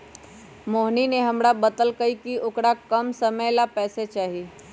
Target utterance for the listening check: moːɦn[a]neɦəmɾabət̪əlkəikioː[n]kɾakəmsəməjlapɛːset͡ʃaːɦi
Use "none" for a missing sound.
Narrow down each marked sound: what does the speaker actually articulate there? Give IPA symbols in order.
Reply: i, none

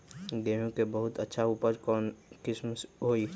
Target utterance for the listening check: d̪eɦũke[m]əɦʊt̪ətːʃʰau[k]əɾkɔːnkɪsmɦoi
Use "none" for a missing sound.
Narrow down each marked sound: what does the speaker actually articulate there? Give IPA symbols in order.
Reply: b, p

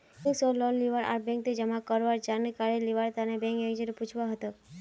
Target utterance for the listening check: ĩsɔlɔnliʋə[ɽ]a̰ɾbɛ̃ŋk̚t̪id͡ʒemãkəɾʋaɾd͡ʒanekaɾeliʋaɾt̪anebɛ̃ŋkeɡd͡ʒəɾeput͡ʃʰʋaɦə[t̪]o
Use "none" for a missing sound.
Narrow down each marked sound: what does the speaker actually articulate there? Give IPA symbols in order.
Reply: ɾ, t̪

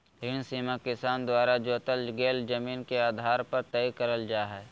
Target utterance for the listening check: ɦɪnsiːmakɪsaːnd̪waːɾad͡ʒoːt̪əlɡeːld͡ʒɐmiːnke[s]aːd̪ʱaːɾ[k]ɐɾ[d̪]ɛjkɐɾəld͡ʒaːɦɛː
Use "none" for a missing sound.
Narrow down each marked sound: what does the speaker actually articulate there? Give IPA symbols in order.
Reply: none, p, t̪

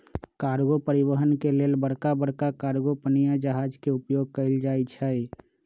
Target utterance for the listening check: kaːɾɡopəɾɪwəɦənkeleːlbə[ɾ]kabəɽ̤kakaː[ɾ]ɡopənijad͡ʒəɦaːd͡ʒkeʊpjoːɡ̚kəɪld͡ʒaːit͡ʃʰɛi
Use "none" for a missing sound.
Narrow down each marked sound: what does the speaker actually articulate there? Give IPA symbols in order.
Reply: ɽ, ɾ

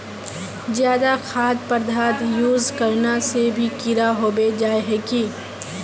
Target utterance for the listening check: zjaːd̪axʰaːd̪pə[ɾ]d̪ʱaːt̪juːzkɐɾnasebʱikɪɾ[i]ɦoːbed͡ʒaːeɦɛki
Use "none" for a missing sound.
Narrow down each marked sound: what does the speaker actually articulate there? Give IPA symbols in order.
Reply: ɾ, a

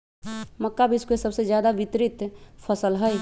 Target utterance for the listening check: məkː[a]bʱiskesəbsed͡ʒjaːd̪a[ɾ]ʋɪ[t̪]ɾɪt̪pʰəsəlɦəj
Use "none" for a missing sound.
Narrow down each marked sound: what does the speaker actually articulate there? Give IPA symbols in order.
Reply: a, none, t̪

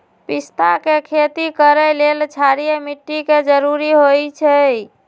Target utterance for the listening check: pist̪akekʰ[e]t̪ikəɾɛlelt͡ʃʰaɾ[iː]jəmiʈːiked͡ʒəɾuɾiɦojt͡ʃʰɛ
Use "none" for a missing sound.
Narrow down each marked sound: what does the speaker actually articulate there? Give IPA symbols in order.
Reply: e, i

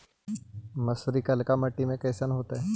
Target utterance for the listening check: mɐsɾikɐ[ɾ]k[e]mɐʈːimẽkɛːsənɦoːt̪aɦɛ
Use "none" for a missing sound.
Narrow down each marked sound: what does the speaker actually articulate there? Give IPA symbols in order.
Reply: l, a

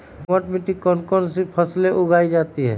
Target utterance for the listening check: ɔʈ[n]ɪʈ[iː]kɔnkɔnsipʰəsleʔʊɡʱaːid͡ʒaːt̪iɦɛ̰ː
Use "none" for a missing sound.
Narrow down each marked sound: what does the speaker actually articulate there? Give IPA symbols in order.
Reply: m, i

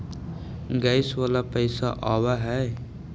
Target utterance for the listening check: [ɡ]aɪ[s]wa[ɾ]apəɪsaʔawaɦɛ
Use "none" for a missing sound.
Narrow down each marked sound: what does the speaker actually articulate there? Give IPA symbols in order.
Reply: ɡ, s, l

